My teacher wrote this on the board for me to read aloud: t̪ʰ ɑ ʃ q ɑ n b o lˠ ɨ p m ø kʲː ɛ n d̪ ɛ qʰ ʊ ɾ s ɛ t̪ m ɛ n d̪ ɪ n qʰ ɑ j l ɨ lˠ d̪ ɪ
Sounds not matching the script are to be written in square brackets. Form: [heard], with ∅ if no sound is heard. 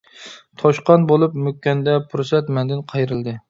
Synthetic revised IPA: t̪ʰ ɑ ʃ q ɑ n b o lˠ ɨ p m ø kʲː ɛ n d̪ ɛ [pʰ] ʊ ɾ s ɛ t̪ m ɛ n d̪ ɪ n qʰ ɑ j [ɾ] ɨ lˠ d̪ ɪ